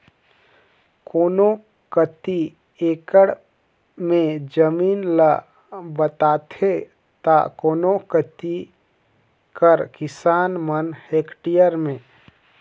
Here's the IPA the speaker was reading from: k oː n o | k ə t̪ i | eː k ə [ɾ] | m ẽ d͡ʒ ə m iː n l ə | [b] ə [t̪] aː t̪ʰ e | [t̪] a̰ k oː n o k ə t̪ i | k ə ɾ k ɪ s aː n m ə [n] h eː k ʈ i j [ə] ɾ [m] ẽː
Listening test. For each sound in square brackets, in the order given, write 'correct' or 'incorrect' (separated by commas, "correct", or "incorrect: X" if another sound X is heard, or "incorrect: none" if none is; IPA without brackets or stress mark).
incorrect: ɽ, correct, correct, correct, correct, correct, correct